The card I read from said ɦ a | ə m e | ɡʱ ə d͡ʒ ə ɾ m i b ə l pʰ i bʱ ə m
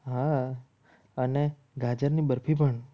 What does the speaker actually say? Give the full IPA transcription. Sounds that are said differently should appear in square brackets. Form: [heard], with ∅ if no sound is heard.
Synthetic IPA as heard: ɦ a | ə [n] e | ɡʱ [a] d͡ʒ ə ɾ [n] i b ə [ɾ] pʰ i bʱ ə [ɳ]